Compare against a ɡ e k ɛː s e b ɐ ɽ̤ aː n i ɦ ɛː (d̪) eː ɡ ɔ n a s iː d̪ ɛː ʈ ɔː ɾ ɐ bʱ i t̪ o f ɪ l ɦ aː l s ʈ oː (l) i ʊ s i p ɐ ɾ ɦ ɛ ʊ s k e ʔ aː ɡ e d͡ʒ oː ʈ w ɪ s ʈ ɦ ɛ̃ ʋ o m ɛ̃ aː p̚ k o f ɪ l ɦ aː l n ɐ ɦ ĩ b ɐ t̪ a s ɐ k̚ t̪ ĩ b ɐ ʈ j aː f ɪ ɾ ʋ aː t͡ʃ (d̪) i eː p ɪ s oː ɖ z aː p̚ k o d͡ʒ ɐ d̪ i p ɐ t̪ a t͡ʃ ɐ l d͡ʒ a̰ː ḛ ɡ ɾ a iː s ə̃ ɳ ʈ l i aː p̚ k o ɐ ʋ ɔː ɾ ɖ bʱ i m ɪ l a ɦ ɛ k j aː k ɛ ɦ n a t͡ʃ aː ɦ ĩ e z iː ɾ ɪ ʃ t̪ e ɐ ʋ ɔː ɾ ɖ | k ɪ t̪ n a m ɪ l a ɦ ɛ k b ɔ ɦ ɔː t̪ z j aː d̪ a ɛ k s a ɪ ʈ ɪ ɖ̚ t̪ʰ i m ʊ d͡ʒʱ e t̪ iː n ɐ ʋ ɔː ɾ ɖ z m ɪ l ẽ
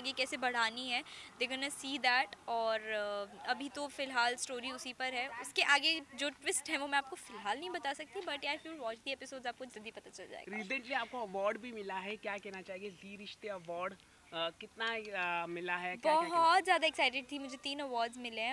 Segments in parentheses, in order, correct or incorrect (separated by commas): correct, incorrect, correct